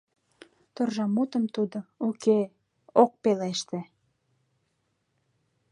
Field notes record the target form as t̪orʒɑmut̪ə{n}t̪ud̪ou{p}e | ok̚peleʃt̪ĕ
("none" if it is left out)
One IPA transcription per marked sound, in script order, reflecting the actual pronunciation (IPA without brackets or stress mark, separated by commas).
m, k